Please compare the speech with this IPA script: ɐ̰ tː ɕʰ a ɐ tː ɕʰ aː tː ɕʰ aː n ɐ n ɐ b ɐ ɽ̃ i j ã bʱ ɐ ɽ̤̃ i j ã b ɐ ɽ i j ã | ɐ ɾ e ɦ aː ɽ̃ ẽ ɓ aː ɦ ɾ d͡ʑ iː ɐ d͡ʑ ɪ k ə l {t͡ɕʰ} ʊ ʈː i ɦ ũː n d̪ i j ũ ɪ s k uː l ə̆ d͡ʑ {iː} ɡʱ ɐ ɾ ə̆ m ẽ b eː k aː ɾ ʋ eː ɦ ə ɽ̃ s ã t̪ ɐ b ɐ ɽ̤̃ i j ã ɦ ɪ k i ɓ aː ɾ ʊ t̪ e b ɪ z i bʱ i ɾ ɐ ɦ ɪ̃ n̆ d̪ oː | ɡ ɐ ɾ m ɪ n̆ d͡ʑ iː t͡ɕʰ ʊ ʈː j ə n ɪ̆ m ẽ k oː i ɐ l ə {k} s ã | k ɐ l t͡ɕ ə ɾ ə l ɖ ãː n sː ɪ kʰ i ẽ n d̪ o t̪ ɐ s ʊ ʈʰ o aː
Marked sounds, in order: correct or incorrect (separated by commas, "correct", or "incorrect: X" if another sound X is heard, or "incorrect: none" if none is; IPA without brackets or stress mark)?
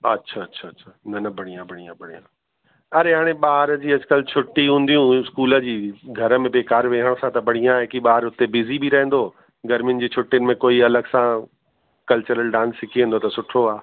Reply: correct, correct, incorrect: ɡ